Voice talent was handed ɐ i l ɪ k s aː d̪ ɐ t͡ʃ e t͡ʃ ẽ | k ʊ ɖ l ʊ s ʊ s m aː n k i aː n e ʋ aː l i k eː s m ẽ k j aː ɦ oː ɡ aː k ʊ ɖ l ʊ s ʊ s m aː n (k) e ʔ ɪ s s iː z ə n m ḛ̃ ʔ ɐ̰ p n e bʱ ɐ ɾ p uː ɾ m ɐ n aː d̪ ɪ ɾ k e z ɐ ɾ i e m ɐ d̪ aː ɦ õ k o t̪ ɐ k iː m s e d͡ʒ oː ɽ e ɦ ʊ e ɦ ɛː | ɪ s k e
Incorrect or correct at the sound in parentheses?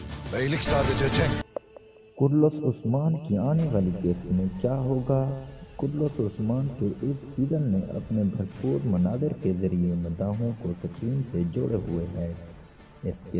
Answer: correct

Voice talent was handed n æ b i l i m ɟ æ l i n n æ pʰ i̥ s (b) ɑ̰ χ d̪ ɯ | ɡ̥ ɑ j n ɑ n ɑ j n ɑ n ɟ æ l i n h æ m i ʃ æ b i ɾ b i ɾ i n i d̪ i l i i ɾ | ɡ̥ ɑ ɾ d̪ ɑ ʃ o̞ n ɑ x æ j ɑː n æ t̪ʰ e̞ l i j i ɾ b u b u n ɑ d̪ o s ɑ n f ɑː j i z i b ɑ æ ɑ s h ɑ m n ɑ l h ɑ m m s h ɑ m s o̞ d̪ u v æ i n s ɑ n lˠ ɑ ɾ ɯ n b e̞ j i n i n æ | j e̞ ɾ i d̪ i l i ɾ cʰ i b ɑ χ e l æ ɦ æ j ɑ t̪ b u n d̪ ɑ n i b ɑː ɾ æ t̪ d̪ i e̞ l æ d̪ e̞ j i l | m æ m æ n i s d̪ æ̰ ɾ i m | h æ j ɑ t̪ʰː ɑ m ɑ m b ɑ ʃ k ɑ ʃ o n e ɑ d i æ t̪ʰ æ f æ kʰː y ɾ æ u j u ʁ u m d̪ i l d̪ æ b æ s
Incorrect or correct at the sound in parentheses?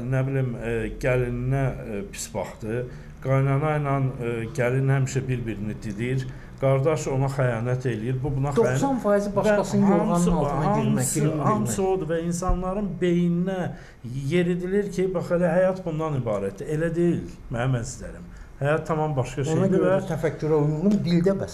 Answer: correct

